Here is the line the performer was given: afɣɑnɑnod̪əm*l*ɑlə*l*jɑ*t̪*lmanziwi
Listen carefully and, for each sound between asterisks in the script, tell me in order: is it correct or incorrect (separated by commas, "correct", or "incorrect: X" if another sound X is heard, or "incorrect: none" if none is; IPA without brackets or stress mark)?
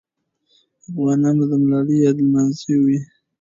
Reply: correct, incorrect: none, incorrect: d̪